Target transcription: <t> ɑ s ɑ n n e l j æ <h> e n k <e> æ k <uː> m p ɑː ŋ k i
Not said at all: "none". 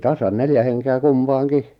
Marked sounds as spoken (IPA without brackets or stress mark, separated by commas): t, h, e, u